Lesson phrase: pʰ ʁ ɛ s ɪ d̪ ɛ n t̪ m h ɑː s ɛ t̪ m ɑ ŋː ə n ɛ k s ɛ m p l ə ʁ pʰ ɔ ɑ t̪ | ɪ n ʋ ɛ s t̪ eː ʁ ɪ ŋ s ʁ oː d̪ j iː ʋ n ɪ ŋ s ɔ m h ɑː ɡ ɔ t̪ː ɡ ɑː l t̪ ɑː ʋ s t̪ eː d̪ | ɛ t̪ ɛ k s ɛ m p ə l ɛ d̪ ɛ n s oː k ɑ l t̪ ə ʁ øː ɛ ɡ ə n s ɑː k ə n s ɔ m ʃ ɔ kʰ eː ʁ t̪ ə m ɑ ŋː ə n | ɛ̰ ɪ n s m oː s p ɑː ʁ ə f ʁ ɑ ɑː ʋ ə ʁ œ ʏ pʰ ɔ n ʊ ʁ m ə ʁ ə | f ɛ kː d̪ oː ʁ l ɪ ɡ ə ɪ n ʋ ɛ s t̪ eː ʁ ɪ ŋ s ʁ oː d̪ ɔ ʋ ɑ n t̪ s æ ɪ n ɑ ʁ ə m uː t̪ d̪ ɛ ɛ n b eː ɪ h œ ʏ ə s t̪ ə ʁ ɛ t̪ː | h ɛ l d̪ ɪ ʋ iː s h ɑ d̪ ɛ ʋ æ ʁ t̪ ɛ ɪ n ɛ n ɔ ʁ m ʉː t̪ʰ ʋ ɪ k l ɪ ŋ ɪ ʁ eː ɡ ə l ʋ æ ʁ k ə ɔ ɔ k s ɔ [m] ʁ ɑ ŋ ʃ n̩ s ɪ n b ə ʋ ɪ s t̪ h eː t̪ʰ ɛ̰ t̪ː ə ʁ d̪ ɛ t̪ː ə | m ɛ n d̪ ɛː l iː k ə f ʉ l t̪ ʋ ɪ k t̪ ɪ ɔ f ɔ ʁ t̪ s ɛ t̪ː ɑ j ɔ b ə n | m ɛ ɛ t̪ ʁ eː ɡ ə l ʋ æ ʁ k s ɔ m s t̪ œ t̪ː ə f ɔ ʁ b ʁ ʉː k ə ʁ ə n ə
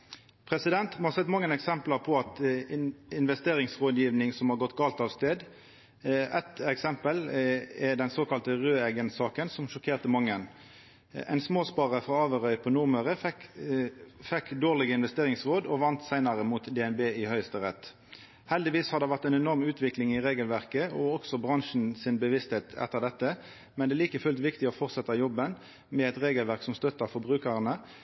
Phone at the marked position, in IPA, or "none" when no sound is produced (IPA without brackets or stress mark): b